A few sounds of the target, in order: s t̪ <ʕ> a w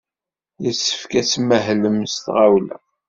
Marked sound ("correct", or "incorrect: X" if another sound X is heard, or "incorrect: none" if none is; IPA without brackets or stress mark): incorrect: ʁ